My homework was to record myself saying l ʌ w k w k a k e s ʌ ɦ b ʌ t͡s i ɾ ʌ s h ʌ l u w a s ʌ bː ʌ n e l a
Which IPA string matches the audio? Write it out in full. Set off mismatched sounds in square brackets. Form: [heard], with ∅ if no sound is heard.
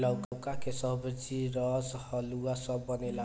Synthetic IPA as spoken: l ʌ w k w k a k e s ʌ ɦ b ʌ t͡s i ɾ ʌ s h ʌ l u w a s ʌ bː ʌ n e l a